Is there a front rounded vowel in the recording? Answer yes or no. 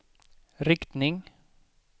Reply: no